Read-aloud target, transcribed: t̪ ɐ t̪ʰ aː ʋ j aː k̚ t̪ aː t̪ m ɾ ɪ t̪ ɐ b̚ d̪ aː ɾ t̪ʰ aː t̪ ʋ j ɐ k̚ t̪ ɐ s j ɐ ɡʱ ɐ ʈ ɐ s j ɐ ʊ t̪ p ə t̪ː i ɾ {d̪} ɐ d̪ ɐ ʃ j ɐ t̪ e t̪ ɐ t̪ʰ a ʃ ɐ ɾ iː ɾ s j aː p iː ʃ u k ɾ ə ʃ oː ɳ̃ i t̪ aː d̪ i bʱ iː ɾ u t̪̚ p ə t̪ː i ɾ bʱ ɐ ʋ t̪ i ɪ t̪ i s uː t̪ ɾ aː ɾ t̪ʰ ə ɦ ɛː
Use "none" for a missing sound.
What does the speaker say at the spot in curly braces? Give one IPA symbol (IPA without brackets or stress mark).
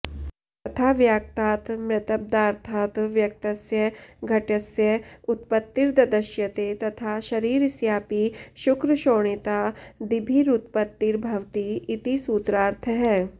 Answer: d̪